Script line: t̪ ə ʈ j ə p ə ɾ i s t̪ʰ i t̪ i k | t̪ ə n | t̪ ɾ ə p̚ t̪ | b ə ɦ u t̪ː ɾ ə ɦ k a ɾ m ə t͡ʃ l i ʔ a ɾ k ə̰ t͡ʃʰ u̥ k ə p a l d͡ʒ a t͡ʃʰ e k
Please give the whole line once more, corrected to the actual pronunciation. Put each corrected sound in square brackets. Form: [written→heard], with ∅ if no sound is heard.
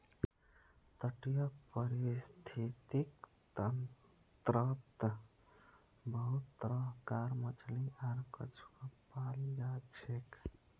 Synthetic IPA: t̪ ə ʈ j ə p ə ɾ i s t̪ʰ i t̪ i k | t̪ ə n | t̪ ɾ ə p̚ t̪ | b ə ɦ u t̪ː ɾ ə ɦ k a ɾ m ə t͡ʃ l i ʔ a ɾ k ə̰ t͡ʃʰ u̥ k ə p a l d͡ʒ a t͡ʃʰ e k